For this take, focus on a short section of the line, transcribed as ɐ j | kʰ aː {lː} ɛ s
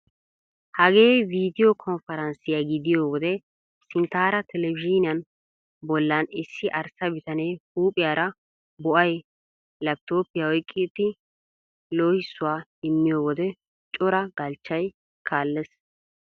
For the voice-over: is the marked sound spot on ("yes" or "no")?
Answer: yes